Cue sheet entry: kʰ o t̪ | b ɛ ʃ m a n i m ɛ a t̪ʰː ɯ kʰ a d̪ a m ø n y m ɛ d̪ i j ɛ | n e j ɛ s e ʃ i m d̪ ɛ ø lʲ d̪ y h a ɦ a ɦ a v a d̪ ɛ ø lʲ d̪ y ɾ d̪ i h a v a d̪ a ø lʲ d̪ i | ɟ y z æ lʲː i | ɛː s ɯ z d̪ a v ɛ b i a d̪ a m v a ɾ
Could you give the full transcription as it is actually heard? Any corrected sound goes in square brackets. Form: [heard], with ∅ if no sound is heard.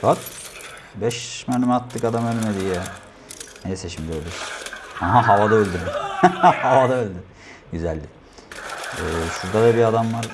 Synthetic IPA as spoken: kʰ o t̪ | b ɛ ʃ m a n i m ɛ a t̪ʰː ɯ [k] a d̪ a m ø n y m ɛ d̪ i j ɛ | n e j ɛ s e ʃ i m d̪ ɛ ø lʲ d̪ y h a ɦ a ɦ a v a d̪ [a] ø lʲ d̪ y ɾ d̪ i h a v a d̪ a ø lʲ d̪ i | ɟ y z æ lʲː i | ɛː s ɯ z d̪ a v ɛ b i a d̪ a m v a ɾ